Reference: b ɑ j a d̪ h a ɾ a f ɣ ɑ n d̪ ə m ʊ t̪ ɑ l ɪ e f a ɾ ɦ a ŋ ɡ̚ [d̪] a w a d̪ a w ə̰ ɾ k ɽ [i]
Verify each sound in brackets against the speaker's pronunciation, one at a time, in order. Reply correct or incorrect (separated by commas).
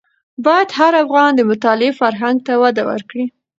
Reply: incorrect, correct